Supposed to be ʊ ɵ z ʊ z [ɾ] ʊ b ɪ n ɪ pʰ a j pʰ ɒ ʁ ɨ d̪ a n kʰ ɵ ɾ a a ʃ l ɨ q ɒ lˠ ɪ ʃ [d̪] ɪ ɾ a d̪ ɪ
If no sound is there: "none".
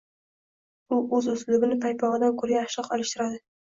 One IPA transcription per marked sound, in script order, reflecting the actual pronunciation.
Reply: l, t̪

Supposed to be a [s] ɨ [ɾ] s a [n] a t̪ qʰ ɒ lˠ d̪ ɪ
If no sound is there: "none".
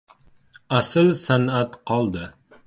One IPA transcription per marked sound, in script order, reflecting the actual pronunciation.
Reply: s, l, n

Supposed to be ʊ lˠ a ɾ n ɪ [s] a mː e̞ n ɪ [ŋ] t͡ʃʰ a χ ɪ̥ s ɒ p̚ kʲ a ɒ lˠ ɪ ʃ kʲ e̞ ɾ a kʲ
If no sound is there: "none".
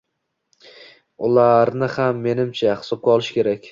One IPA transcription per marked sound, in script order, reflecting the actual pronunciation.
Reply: h, m

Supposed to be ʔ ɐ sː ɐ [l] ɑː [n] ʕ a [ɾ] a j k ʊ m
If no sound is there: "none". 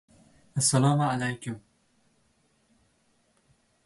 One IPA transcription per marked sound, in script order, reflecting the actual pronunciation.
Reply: l, m, l

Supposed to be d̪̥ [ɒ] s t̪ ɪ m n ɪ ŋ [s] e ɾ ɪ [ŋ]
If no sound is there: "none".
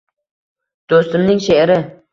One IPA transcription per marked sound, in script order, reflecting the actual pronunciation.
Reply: o, ʃ, none

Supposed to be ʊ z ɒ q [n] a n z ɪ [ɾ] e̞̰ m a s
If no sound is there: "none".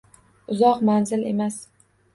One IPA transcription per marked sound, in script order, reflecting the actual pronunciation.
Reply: m, l

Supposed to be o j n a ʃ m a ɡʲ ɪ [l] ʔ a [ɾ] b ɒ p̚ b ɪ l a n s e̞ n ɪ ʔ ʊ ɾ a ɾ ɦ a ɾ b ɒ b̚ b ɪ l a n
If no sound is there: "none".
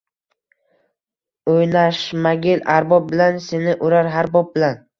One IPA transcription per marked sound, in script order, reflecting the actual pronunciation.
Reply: l, ɾ

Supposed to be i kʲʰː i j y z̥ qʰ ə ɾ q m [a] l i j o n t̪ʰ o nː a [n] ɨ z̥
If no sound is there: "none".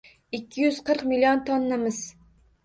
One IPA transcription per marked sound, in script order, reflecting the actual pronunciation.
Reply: i, m

